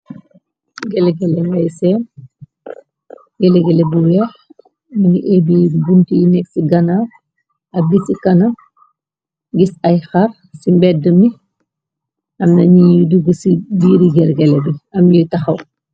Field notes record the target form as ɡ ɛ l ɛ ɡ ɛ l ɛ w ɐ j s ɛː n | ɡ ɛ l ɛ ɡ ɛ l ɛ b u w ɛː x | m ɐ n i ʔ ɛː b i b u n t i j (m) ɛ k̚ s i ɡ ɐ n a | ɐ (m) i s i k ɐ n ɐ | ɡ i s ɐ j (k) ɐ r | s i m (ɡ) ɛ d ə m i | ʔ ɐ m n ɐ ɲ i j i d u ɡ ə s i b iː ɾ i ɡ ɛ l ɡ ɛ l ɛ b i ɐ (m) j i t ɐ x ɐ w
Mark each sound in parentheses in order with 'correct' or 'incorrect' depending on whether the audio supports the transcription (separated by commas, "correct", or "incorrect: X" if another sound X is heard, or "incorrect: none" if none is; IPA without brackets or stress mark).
incorrect: n, incorrect: b, incorrect: x, incorrect: b, correct